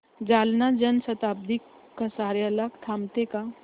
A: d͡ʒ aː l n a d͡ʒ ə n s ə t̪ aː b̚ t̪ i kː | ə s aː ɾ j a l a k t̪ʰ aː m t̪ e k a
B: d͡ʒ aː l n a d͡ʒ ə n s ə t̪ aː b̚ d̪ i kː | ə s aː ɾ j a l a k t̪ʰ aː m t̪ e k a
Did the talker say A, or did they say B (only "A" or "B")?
B